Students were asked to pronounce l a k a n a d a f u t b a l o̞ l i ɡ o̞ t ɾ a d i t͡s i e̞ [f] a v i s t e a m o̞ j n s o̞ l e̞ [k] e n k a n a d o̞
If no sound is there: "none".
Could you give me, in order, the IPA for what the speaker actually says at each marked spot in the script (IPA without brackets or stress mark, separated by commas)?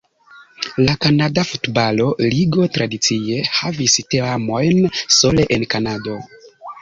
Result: h, ʔ